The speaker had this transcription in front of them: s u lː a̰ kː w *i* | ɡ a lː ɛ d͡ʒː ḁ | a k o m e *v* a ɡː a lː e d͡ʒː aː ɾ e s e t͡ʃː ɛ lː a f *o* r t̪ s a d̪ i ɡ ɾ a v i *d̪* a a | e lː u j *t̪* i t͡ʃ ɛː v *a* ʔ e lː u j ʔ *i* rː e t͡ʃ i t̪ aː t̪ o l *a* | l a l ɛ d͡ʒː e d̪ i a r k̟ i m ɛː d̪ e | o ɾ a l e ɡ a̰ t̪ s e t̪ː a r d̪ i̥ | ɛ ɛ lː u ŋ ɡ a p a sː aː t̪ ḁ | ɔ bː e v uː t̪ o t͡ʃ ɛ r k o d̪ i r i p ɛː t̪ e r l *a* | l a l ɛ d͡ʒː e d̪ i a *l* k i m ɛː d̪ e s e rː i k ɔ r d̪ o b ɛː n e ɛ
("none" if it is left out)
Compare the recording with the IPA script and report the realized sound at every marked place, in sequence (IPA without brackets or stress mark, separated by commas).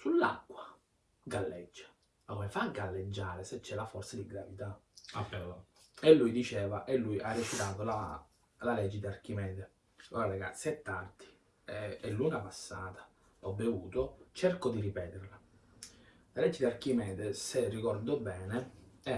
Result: a, f, ɔ, t̪, d̪, a, a, a, a, r